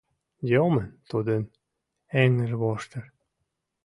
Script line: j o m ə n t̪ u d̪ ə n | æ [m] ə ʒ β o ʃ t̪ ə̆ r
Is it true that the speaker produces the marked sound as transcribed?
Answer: no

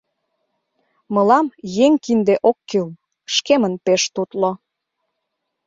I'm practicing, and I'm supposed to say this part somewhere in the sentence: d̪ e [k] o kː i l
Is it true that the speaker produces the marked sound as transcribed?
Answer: no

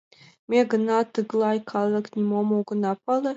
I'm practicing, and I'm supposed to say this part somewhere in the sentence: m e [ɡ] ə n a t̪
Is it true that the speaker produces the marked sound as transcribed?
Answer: yes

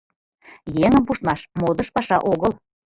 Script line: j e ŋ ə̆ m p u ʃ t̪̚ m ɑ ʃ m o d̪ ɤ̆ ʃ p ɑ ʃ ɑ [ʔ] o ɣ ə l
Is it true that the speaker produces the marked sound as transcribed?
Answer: yes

